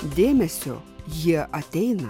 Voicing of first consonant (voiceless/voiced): voiced